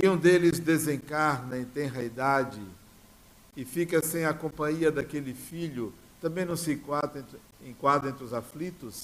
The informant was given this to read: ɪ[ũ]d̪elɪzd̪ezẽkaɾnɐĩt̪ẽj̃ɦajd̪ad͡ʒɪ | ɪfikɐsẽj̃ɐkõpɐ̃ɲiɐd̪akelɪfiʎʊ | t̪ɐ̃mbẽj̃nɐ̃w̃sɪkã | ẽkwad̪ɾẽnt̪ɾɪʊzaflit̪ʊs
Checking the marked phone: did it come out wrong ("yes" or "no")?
no